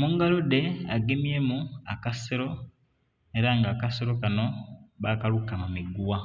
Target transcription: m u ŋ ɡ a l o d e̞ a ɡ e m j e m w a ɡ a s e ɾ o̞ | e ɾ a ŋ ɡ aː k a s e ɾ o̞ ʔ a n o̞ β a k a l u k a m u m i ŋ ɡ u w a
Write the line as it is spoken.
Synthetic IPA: m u ŋ ɡ a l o d e̞ a ɡ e m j e m u a k a s e ɾ o̞ | e ɾ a ŋ ɡ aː k a s e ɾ o̞ k a n o̞ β a k a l u k a m u m i ɡ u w a